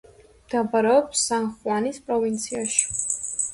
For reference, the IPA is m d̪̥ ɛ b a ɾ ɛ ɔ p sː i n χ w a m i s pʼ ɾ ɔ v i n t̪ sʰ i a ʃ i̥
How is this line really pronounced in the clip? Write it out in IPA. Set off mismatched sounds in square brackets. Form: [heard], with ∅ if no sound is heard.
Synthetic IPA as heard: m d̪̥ [a] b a ɾ ɛ ɔ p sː [a] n χ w a [n] i s pʼ ɾ ɔ v i n t̪ sʰ i a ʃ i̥